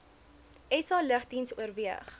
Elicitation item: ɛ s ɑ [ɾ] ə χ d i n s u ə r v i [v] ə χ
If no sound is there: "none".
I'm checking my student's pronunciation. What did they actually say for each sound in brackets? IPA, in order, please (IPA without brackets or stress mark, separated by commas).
l, none